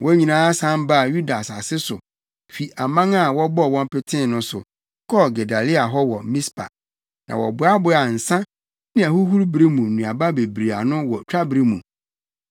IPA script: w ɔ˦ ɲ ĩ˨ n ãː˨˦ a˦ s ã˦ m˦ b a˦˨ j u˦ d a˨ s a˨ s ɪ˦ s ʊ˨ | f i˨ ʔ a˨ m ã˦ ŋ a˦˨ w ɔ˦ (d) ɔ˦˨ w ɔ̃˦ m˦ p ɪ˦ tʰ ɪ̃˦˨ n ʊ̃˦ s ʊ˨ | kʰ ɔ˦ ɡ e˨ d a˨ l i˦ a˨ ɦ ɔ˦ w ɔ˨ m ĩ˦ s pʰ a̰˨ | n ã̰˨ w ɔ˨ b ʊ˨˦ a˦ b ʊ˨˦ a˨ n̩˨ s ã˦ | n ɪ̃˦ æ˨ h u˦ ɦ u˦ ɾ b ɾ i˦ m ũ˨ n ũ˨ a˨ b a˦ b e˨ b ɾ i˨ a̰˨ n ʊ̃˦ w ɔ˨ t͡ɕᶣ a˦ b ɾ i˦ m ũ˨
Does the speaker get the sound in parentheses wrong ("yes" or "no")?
yes